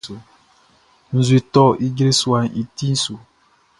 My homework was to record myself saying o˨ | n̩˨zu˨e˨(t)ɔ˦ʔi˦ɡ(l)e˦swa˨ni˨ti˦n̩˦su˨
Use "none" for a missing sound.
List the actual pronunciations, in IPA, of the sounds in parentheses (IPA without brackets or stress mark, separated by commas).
t, ɾ